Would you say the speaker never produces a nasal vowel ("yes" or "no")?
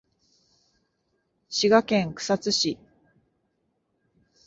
no